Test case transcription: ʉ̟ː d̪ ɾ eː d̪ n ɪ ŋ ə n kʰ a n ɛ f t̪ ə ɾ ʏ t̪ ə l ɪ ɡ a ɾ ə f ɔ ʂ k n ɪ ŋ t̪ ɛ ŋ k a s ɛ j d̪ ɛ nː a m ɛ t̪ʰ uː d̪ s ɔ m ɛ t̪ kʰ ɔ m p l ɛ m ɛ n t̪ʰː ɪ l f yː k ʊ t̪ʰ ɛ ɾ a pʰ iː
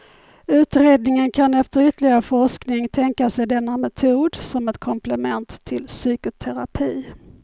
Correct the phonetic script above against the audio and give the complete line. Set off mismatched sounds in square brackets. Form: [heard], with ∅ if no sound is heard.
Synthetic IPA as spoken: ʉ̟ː [t̪] ɾ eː d̪ n ɪ ŋ ə n kʰ a n ɛ f t̪ ə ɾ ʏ t̪ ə l ɪ ɡ a ɾ ə f ɔ ʂ k n ɪ ŋ [t̪ʰ] ɛ ŋ k a s ɛ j d̪ ɛ nː a m ɛ t̪ʰ uː d̪ s ɔ m ɛ t̪ kʰ ɔ m p l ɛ m ɛ n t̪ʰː ɪ l [s] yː k ʊ t̪ʰ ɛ ɾ a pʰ iː